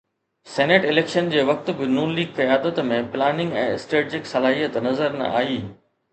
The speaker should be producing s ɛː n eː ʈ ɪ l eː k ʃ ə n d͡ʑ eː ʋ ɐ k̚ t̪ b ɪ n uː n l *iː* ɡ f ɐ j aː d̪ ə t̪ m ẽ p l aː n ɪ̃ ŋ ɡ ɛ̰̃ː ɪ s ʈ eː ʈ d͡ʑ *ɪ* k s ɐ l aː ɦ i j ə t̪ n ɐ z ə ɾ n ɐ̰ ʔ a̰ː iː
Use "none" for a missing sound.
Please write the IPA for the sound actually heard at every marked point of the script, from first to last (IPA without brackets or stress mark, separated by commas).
iː, ɪ